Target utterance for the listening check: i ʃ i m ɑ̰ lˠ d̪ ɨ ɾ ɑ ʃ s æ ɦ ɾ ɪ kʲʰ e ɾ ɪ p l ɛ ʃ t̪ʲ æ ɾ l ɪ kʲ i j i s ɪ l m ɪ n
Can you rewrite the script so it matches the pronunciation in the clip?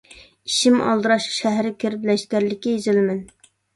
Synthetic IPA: i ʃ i m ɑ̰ lˠ d̪ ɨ ɾ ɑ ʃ ʃ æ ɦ ɾ ɪ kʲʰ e ɾ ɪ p l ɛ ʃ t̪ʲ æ ɾ l ɪ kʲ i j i z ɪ l m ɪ n